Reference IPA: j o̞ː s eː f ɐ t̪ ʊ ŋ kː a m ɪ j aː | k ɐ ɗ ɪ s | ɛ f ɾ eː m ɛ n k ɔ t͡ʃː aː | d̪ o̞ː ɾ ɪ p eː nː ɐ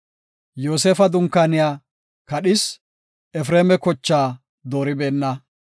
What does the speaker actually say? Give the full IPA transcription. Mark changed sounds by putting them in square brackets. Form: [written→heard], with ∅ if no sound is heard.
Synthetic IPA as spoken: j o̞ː s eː f ɐ [t̪→d̪] ʊ ŋ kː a [m→n] ɪ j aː | k ɐ ɗ ɪ s | ɛ f ɾ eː m ɛ [n→∅] k ɔ t͡ʃː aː | d̪ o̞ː ɾ ɪ [p→b] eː nː ɐ